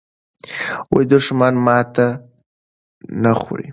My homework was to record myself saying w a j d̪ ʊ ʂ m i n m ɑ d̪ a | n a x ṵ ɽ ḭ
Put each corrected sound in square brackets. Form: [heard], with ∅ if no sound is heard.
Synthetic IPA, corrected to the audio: w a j d̪ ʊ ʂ m [a] n m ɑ [t̪] a | n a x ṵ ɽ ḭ